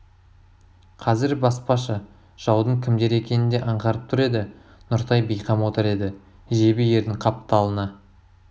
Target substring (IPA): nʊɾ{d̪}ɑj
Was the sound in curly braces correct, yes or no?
no